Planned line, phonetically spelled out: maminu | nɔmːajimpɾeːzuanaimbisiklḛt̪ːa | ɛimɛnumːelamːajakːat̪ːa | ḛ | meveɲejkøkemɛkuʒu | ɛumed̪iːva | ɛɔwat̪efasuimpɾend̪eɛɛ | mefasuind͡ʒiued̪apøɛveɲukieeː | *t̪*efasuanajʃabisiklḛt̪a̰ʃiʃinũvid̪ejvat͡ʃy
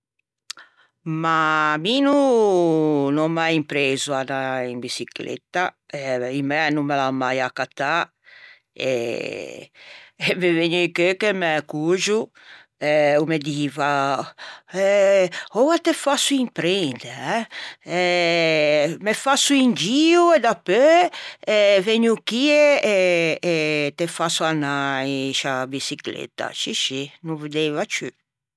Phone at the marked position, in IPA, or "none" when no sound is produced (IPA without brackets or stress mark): t̪